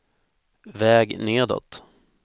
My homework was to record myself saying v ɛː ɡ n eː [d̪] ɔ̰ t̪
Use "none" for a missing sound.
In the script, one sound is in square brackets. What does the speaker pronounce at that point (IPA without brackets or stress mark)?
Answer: d̪